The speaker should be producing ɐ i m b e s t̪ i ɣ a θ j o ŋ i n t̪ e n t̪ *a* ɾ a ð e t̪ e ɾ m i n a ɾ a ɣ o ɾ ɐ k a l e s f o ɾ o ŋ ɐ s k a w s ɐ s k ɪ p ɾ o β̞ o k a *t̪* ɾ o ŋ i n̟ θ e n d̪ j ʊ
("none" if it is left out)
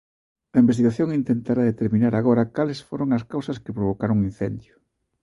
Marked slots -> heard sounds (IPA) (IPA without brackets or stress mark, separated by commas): a, none